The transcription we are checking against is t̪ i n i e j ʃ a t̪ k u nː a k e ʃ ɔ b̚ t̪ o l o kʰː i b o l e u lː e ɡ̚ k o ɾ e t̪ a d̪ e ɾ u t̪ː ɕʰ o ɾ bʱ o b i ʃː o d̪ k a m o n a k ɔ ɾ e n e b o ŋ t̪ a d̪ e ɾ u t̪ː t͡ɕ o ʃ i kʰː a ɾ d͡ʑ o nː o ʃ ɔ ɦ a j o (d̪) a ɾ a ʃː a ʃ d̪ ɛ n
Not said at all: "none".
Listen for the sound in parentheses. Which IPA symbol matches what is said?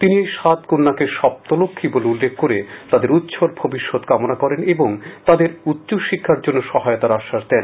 t̪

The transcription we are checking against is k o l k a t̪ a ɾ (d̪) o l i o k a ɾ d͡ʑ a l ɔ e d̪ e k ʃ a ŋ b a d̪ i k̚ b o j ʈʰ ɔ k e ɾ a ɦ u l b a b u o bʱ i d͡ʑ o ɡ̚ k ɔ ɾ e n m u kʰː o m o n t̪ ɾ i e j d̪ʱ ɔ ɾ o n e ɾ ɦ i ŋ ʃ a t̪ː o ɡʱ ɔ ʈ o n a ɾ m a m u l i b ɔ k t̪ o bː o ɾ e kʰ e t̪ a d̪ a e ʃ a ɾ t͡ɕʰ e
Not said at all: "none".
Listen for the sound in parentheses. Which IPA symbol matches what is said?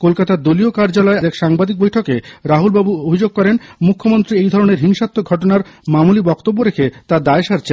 d̪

